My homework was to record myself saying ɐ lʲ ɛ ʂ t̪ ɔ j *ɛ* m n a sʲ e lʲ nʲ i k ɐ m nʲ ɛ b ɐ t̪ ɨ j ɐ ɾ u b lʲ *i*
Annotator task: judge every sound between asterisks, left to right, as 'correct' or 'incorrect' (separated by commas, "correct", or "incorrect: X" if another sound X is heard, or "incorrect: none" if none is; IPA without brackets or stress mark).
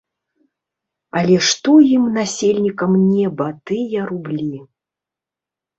incorrect: i, correct